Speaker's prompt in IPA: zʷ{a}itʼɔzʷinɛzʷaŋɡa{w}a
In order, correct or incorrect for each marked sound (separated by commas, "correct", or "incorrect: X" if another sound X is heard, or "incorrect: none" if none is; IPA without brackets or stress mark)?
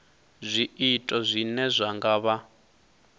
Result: incorrect: i, incorrect: β